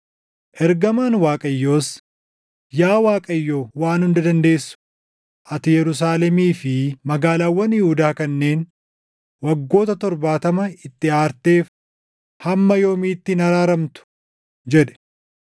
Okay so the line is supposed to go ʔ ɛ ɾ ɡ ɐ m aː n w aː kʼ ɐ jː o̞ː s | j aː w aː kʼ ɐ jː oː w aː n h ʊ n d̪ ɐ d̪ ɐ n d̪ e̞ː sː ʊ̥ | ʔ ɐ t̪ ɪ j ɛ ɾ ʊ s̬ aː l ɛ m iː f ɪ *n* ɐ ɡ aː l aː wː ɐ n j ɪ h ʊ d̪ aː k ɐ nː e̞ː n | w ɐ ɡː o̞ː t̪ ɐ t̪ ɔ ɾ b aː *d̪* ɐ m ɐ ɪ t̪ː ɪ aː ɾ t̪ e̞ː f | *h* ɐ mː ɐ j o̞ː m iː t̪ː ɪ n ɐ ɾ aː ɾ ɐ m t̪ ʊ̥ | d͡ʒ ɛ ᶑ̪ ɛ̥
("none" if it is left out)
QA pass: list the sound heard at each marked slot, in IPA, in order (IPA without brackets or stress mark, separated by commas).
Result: m, t̪, h